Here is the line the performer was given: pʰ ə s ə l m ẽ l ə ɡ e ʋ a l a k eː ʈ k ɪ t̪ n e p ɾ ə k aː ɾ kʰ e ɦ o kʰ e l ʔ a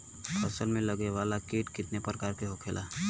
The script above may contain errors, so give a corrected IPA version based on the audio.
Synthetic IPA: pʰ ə s ə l m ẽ l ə ɡ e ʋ a l a k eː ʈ k ɪ t̪ n e p ɾ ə k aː ɾ k e ɦ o kʰ e l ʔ a